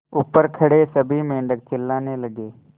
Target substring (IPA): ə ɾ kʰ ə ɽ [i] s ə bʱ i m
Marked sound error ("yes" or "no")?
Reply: yes